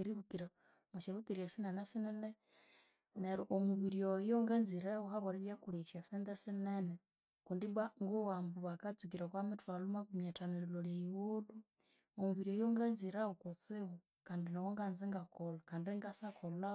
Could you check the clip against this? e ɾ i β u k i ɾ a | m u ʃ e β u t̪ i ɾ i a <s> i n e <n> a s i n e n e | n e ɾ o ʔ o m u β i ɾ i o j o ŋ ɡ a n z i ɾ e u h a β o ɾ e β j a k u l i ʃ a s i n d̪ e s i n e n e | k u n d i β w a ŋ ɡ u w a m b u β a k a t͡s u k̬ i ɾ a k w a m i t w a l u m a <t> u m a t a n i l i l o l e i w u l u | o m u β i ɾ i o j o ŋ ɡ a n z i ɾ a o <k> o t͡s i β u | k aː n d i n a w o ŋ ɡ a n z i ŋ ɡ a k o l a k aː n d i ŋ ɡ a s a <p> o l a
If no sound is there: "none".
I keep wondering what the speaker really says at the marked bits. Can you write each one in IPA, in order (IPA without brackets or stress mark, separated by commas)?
s, n, k, k, k